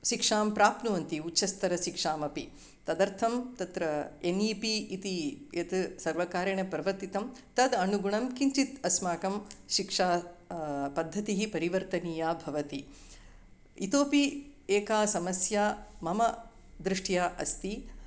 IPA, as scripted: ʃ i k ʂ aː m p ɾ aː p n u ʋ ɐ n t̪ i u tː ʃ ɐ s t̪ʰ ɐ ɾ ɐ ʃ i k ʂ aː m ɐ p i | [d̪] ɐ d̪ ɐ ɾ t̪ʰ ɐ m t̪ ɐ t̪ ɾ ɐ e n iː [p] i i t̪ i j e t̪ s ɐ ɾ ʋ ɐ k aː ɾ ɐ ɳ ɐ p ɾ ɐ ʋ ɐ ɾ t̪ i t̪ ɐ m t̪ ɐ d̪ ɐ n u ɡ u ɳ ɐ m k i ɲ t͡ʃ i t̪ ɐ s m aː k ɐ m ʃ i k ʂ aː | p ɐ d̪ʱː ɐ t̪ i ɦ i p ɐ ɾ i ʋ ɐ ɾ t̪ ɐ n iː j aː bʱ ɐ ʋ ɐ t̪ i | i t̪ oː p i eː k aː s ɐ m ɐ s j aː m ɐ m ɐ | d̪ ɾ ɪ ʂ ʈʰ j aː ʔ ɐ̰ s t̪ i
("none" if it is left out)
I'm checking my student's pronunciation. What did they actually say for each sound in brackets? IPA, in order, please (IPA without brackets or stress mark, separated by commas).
t̪, p